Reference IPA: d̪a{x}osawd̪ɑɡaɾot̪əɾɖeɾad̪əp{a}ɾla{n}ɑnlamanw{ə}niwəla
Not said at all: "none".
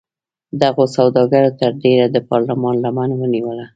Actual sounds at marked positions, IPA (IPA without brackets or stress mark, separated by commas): ɣ, ɑ, m, ə